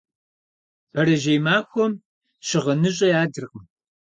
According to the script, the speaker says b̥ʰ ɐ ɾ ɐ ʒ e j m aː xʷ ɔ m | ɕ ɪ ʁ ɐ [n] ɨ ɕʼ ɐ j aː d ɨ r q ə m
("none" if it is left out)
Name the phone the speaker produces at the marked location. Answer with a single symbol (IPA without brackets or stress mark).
n